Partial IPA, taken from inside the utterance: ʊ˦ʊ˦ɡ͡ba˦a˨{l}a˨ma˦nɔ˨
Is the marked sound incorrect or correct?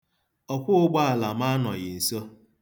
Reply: correct